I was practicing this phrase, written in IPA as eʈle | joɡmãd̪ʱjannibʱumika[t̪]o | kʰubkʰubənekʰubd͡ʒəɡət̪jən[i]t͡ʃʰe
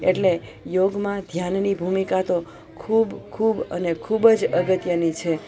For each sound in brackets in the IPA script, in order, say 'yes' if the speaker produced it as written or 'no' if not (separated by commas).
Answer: yes, yes